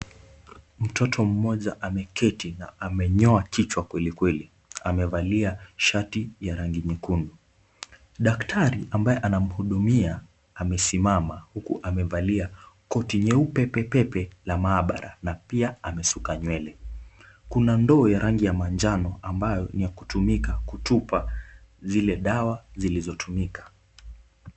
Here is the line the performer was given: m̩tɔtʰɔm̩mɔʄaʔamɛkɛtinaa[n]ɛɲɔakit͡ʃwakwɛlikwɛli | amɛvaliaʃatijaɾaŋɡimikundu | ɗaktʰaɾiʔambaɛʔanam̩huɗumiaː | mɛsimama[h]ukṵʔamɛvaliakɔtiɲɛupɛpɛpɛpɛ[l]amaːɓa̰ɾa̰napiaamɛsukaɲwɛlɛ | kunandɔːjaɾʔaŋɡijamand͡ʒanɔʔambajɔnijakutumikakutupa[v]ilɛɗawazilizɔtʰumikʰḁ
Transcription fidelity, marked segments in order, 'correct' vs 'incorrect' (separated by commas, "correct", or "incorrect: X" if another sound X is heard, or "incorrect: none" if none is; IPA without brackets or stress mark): incorrect: m, correct, correct, incorrect: z